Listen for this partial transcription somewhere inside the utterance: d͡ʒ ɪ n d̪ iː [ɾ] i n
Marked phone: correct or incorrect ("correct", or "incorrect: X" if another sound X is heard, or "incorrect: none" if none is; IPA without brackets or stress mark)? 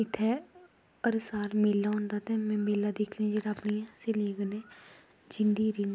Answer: correct